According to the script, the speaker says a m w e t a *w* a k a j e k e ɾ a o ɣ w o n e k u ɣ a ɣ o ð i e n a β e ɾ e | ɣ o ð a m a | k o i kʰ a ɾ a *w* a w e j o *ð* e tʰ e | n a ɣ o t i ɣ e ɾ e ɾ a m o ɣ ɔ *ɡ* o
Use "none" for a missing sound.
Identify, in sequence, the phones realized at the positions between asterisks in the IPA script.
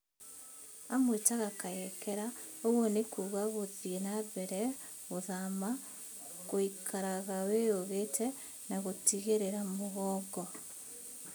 ɣ, ɣ, ɣ, ɡ

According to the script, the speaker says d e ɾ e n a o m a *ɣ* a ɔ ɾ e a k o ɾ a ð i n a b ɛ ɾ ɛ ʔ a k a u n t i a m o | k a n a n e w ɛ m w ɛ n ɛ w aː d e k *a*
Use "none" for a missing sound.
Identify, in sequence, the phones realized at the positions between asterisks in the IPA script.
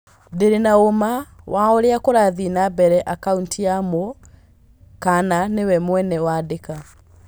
w, a

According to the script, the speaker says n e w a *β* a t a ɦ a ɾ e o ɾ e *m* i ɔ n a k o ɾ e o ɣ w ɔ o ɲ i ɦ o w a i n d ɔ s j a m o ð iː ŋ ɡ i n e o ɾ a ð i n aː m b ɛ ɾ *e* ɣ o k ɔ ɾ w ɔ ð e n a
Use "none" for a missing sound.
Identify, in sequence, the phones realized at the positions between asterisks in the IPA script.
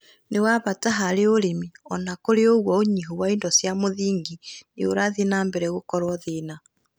β, m, ɛ

